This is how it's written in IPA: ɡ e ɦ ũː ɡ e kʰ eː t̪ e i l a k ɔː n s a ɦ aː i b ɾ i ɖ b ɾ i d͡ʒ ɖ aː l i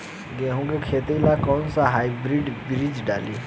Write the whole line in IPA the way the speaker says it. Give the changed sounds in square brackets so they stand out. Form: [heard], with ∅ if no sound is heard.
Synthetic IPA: ɡ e ɦ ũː ɡ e kʰ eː t̪ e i l a k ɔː n s a ɦ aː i b ɾ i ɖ b ɾ i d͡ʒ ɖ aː l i